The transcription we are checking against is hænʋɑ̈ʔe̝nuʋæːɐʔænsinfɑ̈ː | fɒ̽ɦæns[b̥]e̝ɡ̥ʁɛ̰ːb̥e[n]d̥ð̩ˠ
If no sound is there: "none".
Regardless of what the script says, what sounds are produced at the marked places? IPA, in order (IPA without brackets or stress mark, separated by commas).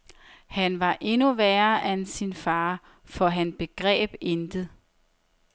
b̥, n